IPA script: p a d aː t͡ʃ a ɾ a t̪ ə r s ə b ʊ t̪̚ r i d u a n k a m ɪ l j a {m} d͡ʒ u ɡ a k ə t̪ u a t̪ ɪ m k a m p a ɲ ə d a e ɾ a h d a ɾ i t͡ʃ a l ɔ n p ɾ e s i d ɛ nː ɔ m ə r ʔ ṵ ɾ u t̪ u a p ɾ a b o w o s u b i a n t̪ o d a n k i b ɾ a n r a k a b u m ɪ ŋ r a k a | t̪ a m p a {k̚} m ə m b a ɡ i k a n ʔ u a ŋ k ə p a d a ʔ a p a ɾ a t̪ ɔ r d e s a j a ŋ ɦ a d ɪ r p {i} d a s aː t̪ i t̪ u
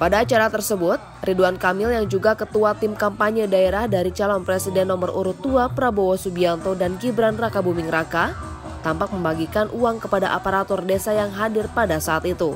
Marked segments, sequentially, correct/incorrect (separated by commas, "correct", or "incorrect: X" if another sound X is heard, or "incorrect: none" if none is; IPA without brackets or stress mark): incorrect: ŋ, correct, incorrect: a